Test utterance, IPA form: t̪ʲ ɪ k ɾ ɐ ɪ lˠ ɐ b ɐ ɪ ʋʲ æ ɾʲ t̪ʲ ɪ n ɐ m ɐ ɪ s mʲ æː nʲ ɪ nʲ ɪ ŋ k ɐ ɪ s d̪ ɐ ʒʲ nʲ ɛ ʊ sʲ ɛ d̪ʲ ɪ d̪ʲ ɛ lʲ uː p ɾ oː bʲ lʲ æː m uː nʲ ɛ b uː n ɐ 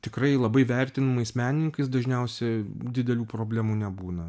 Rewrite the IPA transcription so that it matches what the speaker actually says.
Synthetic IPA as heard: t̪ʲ ɪ k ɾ ɐ ɪ lˠ ɐ b ɐ ɪ ʋʲ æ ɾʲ t̪ʲ ɪ n ɐ m ɐ ɪ s mʲ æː nʲ ɪ nʲ ɪ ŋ k ɐ ɪ s d̪ ɐ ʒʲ nʲ ɛ ʊ sʲ ɛ d̪ʲ ɪ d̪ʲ ɛ lʲ uː p ɾ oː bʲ lʲ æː m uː nʲ ɛ b uː n ɐ